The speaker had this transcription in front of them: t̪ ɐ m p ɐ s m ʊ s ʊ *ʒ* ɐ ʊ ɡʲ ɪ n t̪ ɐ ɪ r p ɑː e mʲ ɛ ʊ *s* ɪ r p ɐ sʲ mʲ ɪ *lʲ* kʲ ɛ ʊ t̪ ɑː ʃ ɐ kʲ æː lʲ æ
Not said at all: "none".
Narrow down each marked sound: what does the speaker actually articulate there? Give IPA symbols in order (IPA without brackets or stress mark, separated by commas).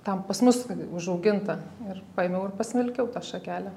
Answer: ʒ, none, lʲ